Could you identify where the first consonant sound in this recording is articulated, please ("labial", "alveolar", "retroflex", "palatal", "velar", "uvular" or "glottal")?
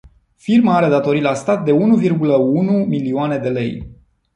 labial